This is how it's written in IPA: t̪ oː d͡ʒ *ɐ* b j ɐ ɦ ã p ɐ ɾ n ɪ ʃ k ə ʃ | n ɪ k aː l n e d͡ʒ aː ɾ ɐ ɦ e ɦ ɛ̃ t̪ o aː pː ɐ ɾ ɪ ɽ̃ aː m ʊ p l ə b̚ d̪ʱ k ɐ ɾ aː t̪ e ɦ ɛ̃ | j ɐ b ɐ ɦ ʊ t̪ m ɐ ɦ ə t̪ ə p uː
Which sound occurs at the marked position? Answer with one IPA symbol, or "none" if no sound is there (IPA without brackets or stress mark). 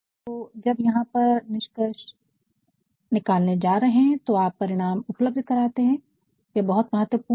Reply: ɐ